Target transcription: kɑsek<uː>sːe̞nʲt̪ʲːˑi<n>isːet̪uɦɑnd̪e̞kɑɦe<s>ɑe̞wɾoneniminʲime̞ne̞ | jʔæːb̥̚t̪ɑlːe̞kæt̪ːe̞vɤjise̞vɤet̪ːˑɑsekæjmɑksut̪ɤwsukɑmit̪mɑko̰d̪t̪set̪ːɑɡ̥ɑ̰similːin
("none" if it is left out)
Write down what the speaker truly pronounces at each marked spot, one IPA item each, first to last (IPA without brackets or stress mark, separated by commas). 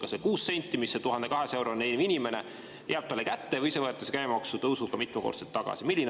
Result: uː, m, s